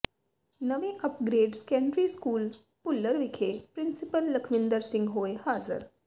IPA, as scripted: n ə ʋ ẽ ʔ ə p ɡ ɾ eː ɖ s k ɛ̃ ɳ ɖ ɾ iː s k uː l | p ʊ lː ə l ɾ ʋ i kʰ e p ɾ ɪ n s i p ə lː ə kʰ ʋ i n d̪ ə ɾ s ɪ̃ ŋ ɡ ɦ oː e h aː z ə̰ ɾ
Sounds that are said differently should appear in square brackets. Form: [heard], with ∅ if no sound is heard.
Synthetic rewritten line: n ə ʋ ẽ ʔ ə p ɡ ɾ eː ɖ s k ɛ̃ ɳ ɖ ɾ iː s k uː l | p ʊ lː ə [∅] ɾ ʋ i kʰ e p ɾ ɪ n s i p ə lː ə kʰ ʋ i n d̪ ə ɾ s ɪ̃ ŋ ɡ ɦ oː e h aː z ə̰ ɾ